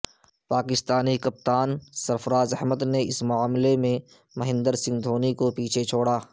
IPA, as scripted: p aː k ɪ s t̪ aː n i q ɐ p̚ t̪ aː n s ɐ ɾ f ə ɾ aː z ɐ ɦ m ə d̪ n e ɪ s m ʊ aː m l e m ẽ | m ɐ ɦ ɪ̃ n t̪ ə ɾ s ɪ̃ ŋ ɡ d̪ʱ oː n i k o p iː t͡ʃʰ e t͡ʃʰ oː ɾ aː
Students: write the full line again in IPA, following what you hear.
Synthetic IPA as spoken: p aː k ɪ s t̪ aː n i k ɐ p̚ t̪ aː n s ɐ ɾ f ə ɾ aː z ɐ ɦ m ə d̪ n e ɪ s m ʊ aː m l e m ẽ | m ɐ ɦ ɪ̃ n d̪ ə ɾ s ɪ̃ ŋ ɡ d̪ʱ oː n i k o p iː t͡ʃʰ e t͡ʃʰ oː ɽ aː